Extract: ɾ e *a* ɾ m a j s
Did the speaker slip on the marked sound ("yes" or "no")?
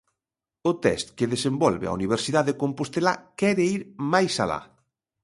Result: yes